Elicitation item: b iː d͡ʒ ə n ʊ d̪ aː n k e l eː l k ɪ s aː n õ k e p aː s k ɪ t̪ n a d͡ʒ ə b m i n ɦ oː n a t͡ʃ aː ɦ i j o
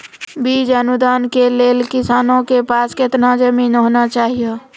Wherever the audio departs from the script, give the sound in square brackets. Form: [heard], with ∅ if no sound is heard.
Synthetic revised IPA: b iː d͡ʒ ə n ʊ d̪ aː n k e l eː l k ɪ s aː n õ k e p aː s k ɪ t̪ n a d͡ʒ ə [∅] m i n ɦ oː n a t͡ʃ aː ɦ i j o